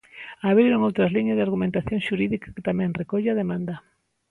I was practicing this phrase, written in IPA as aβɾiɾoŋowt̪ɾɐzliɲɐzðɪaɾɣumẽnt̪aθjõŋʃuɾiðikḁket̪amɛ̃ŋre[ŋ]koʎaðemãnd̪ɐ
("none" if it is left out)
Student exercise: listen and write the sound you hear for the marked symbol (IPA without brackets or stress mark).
none